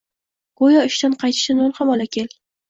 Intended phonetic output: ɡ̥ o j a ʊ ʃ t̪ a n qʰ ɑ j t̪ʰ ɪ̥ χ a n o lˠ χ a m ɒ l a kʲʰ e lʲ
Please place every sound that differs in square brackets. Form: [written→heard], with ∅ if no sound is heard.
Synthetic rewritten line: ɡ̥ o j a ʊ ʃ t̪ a n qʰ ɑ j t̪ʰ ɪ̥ [χ→ʃ] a n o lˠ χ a m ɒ l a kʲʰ e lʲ